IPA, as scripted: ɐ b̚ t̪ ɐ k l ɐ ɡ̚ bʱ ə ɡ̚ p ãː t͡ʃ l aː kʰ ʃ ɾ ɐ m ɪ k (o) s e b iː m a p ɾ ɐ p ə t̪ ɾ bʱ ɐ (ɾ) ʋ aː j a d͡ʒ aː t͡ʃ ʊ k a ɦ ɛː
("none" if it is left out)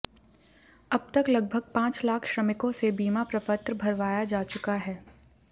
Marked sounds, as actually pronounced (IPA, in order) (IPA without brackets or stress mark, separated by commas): õ, ɾ